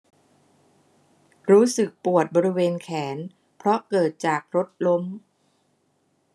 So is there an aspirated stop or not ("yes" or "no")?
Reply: yes